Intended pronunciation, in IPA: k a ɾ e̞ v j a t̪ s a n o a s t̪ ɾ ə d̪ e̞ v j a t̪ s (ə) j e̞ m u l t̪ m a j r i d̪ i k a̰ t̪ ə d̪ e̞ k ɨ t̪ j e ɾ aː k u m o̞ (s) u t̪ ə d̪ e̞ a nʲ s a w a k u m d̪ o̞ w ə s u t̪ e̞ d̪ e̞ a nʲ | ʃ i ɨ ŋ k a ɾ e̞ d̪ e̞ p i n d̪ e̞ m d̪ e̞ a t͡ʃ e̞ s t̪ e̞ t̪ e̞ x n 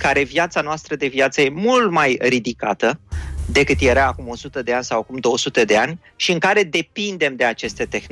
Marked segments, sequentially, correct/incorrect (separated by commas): correct, correct